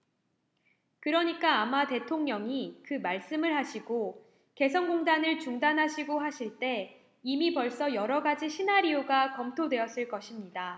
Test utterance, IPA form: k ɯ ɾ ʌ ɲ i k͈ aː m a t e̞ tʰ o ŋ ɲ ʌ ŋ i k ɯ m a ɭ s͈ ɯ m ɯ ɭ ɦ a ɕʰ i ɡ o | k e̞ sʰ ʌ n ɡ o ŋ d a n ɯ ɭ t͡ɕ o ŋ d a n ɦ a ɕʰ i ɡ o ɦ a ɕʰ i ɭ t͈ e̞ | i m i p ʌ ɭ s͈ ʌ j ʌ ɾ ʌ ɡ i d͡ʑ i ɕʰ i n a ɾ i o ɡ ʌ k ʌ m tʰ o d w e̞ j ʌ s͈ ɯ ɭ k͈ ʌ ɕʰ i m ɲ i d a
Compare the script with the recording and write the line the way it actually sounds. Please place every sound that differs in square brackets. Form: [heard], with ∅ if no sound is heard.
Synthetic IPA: k ɯ ɾ ʌ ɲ i k͈ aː m a t e̞ tʰ o ŋ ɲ ʌ ŋ i k ɯ m a ɭ s͈ ɯ m ɯ ɭ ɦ a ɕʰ i ɡ o | k e̞ sʰ ʌ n ɡ o ŋ d a n ɯ ɭ t͡ɕ [u] ŋ d a n ɦ a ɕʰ i ɡ o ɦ a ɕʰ i ɭ t͈ e̞ | i m i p ʌ ɭ s͈ ʌ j ʌ ɾ ʌ ɡ [a] d͡ʑ i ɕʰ i n a ɾ i o ɡ [a] k ʌ m tʰ o d w e̞ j ʌ s͈ ɯ ɭ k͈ ʌ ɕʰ i m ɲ i d a